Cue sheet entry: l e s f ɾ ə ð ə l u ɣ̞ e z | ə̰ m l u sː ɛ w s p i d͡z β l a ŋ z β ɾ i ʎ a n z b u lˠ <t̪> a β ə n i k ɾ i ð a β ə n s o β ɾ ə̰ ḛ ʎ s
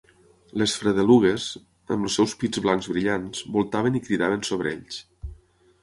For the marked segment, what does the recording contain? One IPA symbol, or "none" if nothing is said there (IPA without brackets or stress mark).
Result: t̪